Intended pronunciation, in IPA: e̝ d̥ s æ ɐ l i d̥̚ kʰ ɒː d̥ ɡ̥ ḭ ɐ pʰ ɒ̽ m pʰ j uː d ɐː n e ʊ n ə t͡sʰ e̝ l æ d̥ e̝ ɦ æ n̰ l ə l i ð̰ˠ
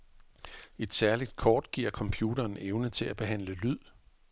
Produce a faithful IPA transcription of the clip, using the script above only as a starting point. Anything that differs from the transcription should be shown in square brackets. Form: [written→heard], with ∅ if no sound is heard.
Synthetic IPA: e̝ d̥ s æ ɐ l i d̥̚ kʰ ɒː d̥ ɡ̥ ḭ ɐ [pʰ→kʰ] ɒ̽ m pʰ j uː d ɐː n e ʊ n ə t͡sʰ e̝ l æ [d̥→b̥] e̝ ɦ æ n̰ l ə l [i→y] ð̰ˠ